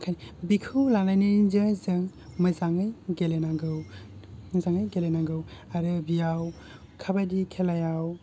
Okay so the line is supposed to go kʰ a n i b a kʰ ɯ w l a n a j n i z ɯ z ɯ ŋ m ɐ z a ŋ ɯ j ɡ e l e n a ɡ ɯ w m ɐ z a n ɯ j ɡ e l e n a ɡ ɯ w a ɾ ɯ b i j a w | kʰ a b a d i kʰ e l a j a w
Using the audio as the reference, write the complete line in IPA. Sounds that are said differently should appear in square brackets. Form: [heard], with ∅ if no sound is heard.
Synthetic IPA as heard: kʰ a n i b [i] kʰ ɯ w l a n a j n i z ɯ z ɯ ŋ m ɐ z a ŋ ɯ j ɡ e l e n a ɡ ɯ w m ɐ z a [ŋ] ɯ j ɡ e l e n a ɡ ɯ w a ɾ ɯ b i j a w | kʰ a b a d i kʰ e l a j a w